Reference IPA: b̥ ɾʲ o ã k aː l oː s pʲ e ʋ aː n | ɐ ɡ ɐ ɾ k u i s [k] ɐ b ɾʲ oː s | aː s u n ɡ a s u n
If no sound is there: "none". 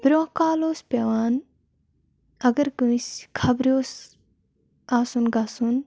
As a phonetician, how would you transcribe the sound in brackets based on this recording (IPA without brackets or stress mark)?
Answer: kʰ